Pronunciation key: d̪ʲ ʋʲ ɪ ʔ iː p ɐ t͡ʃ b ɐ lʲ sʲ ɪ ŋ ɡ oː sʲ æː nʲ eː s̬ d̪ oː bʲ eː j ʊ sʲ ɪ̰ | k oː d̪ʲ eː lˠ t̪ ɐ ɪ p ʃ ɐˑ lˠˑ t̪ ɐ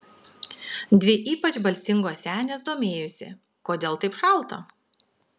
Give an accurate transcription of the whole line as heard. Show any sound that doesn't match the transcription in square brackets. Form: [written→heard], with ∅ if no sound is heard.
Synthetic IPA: d̪ʲ ʋʲ ɪ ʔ iː p ɐ t͡ʃ b ɐ lʲ sʲ ɪ ŋ ɡ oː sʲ æː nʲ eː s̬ d̪ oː [bʲ→mʲ] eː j ʊ sʲ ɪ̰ | k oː d̪ʲ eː lˠ t̪ ɐ ɪ p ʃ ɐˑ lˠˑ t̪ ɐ